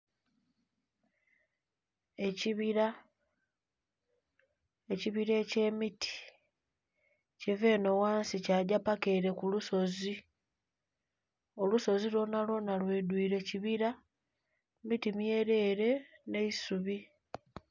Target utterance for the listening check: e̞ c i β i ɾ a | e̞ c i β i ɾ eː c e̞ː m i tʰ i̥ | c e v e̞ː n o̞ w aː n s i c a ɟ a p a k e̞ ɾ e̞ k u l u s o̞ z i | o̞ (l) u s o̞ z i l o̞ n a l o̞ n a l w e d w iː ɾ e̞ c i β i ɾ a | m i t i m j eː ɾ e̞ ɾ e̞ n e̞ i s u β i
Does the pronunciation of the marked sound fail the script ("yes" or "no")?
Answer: no